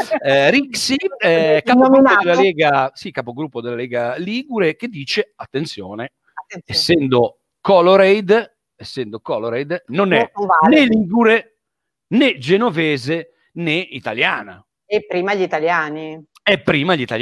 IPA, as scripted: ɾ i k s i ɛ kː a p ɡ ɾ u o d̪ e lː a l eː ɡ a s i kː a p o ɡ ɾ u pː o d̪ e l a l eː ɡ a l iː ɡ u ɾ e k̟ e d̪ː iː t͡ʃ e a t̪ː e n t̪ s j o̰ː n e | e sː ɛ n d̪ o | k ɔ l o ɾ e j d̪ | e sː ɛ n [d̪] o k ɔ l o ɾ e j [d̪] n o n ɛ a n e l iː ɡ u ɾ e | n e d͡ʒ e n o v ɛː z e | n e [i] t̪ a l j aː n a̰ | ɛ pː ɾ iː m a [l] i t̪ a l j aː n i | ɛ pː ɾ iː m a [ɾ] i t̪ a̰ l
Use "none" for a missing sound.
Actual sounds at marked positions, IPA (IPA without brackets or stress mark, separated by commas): d̪, d̪, i, ʎ, ʎ